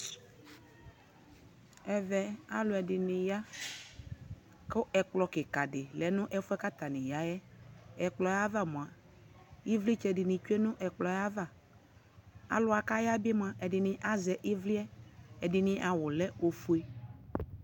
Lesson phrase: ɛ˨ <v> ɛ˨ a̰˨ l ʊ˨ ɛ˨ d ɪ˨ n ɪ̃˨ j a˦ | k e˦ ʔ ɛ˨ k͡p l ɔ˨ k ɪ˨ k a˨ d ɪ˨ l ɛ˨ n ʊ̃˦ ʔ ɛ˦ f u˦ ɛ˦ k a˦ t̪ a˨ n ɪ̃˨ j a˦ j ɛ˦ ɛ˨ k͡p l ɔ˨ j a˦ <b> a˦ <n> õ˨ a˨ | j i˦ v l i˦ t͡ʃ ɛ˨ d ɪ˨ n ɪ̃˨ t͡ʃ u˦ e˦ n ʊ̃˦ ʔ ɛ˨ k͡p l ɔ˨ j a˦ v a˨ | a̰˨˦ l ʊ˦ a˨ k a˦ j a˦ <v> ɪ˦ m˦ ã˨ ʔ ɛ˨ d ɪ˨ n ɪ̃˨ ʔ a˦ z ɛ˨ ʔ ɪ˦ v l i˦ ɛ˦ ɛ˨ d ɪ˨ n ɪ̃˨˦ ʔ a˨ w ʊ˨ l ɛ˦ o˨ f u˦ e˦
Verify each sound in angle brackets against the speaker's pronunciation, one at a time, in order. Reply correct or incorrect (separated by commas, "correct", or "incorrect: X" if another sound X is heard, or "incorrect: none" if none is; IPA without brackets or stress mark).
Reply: correct, incorrect: v, incorrect: m, incorrect: b